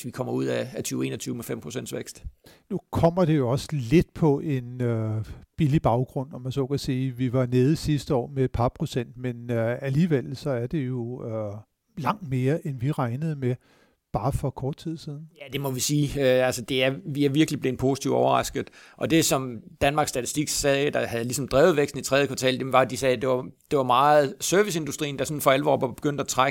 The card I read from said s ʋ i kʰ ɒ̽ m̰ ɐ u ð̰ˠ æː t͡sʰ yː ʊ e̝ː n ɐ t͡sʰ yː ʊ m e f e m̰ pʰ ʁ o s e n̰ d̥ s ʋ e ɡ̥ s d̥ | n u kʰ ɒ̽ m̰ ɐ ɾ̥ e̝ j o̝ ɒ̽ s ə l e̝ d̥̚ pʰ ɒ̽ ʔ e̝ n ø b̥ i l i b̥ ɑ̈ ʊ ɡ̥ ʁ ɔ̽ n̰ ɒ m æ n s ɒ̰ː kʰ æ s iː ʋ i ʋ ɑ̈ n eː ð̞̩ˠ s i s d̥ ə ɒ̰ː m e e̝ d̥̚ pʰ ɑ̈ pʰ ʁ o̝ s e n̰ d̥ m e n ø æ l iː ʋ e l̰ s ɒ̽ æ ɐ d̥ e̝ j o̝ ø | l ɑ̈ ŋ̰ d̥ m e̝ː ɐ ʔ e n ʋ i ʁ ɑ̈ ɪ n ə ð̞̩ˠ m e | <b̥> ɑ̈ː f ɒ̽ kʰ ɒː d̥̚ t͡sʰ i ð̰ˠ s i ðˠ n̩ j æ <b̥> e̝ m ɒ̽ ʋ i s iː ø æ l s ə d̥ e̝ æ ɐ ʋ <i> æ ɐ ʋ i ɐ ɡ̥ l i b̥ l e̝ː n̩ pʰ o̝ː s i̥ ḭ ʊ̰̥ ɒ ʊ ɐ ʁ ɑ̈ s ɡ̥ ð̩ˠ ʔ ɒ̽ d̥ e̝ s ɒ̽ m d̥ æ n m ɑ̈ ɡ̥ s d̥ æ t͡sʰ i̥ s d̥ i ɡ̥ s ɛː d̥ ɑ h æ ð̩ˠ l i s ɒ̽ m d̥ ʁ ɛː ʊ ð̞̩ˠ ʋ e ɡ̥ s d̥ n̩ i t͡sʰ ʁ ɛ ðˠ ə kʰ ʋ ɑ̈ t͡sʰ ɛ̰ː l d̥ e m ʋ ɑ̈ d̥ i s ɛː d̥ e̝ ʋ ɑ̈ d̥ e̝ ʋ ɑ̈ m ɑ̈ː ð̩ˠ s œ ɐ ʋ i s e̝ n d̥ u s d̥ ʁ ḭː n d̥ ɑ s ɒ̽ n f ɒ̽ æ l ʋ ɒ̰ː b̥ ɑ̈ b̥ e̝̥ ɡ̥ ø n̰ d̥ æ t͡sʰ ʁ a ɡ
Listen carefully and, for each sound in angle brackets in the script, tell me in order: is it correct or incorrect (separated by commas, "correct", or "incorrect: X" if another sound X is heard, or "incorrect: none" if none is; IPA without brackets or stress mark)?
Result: correct, incorrect: d̥, correct